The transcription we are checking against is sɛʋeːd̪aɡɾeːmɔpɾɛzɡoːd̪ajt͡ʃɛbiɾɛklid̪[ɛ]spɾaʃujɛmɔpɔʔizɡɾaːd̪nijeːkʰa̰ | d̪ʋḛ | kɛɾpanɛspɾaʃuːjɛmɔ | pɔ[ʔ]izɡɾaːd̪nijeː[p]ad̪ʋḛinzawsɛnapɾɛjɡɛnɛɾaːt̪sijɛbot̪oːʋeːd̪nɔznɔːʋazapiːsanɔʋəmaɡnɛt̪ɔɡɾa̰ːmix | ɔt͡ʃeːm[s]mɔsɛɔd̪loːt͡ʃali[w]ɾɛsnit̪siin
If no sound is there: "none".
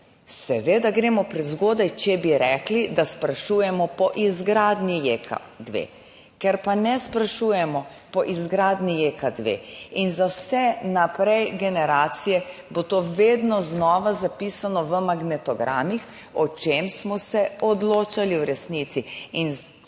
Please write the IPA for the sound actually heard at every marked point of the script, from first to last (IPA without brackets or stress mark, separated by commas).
a, ʔ, k, s, w